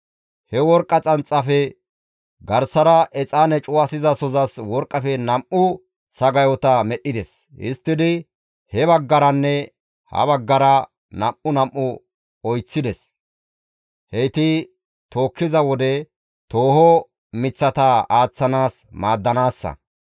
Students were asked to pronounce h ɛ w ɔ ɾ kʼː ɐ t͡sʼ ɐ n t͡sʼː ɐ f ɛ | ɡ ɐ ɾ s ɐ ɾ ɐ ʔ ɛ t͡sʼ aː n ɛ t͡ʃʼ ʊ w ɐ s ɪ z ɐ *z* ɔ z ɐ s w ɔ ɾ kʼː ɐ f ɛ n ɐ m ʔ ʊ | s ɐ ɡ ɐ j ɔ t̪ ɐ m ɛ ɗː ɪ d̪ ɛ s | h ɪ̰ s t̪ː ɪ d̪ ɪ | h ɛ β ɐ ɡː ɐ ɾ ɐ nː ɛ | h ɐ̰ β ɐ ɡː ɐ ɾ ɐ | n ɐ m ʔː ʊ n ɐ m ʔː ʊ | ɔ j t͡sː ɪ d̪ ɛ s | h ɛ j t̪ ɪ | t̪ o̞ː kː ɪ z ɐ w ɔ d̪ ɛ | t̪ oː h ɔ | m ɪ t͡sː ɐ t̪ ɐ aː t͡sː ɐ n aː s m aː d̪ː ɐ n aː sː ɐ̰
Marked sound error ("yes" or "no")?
yes